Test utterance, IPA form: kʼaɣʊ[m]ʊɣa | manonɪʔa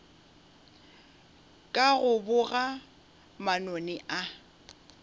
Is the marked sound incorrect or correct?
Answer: incorrect